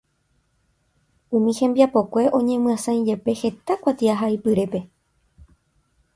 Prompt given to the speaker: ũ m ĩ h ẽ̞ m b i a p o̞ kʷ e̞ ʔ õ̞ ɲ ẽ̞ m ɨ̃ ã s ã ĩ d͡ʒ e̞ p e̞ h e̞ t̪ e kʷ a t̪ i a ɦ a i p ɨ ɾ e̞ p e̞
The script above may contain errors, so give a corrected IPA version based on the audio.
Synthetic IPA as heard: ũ m ĩ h ẽ̞ m b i a p o̞ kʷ e̞ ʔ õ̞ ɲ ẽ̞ m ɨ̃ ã s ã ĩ d͡ʒ e̞ p e̞ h e̞ t̪ a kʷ a t̪ i a ɦ a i p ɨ ɾ e̞ p e̞